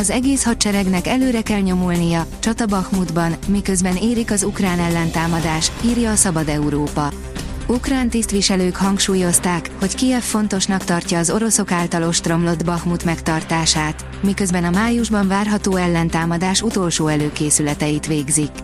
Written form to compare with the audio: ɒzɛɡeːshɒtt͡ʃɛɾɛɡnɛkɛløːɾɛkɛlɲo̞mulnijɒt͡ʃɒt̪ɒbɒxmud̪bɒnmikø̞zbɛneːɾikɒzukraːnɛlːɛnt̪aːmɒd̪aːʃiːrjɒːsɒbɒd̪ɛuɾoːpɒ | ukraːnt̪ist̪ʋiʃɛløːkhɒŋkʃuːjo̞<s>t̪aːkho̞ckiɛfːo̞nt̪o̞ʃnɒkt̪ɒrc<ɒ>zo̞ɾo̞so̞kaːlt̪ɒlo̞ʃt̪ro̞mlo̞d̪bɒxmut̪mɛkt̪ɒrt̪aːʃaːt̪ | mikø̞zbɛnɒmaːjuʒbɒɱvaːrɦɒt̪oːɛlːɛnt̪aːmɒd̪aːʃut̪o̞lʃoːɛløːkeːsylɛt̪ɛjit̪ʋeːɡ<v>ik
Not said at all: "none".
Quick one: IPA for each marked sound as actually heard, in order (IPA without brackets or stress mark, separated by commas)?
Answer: s, ɒː, z